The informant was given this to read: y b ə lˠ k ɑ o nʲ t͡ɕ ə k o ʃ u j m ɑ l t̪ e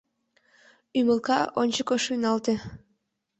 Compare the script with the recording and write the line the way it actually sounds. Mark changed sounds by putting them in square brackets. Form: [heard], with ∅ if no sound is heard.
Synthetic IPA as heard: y [m] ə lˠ k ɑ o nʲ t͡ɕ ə k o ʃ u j [n] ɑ l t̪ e